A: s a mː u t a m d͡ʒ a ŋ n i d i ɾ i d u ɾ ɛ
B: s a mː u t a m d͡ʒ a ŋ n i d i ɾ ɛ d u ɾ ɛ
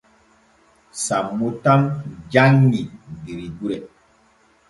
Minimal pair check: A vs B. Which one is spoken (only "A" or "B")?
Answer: A